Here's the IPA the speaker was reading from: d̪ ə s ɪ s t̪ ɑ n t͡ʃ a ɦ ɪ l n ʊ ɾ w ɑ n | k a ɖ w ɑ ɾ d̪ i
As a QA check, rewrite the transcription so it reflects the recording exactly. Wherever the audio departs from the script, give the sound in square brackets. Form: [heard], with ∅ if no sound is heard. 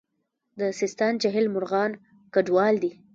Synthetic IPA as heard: d̪ ə s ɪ s t̪ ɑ n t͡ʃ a ɦ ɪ l [m] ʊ ɾ [ɣ] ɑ n | k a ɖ w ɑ [l] d̪ i